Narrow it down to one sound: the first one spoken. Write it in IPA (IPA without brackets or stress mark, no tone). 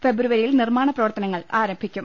f